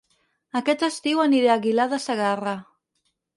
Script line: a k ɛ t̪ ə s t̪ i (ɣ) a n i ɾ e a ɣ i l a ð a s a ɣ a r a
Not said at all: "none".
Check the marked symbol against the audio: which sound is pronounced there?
w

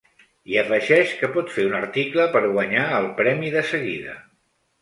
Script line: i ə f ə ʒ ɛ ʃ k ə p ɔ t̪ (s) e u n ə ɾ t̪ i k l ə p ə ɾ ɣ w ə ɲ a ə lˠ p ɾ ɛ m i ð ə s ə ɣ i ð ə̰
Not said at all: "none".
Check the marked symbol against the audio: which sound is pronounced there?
f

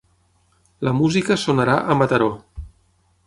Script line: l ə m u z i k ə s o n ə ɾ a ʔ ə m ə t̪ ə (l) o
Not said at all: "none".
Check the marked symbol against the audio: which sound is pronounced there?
ɾ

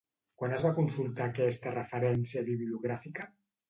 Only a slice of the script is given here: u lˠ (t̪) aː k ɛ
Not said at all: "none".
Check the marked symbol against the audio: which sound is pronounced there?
t̪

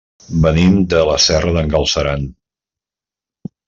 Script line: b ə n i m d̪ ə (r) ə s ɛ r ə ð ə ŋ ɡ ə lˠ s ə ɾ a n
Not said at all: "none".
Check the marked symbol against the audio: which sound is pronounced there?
l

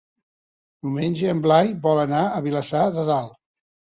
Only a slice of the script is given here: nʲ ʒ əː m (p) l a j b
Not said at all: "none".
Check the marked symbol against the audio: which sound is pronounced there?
b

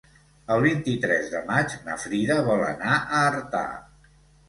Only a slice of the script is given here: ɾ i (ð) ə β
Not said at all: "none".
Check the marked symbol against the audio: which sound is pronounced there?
ð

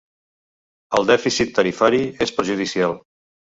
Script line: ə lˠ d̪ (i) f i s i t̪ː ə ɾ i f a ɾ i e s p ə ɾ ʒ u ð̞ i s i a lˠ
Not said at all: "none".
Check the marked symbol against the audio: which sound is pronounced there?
ɛ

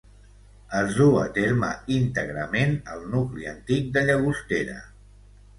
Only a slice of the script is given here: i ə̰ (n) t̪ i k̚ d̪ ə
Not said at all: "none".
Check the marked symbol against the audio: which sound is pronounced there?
n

